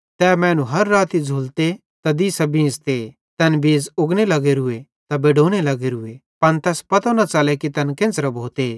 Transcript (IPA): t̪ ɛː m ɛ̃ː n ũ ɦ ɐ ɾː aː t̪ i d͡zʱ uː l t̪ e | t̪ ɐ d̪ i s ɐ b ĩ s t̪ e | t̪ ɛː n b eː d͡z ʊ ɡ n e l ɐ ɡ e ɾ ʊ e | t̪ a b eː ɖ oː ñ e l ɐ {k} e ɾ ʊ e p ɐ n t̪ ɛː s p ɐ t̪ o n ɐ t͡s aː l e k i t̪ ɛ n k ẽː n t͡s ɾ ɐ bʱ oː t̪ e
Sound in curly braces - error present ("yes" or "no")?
yes